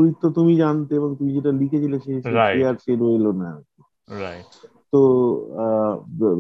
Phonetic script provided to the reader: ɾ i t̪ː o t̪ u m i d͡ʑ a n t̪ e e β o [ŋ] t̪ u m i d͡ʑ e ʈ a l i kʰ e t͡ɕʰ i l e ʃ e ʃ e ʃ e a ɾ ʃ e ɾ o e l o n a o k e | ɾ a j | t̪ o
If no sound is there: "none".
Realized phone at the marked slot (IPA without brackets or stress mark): ŋ